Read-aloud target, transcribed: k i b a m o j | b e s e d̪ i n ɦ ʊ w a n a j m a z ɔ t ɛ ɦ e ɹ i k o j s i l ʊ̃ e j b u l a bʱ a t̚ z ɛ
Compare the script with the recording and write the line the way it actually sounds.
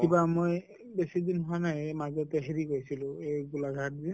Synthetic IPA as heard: k i b a m o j | b e s i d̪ i n ɦ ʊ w a n a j m a z ɔ t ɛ ɦ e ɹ i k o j s i l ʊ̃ e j ɡ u l a ɡʱ a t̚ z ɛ